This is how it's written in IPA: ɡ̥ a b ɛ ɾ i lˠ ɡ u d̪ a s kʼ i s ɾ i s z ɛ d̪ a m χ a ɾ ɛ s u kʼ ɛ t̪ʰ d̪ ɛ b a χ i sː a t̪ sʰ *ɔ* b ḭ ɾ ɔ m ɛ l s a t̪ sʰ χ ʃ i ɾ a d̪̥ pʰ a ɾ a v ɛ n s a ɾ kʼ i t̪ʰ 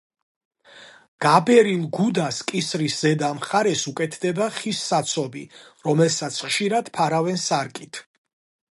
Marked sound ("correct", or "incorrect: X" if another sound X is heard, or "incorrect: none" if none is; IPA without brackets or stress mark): correct